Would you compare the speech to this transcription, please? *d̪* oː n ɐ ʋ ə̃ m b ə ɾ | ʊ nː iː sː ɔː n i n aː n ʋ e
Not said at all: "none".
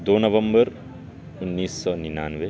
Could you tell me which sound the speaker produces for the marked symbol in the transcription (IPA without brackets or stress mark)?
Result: d̪